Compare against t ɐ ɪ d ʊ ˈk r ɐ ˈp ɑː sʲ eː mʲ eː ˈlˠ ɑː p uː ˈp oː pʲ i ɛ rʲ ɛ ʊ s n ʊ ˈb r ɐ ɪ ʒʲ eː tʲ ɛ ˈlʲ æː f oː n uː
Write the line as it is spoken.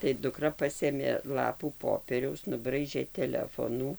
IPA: t ɐ ɪ d ʊ ˈk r ɐ ˈp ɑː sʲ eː mʲ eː ˈlˠ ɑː p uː ˈp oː pʲ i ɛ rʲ ɛ ʊ s n ʊ ˈb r ɐ ɪ ʒʲ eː tʲ ɛ ˈlʲ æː f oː n uː